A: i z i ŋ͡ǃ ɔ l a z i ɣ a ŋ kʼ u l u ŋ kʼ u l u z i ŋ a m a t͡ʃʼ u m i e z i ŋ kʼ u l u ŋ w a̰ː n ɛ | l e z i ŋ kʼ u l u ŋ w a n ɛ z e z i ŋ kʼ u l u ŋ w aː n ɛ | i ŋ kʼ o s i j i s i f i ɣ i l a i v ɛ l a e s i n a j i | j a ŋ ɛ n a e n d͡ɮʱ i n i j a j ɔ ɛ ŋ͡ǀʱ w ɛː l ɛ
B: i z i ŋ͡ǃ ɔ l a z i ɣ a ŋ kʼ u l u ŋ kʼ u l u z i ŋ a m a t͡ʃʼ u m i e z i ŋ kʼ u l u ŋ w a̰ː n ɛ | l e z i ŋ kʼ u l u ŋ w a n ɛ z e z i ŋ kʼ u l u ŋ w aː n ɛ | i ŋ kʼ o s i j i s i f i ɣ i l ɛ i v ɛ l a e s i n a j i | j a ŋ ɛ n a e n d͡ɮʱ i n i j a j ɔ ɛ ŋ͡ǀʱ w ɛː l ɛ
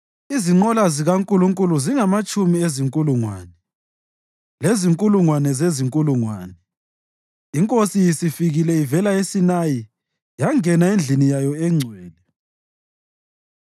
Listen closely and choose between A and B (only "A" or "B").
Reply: B